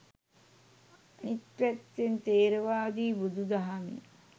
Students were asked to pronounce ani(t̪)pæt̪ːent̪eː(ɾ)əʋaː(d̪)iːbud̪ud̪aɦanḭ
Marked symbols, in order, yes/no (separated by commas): yes, yes, yes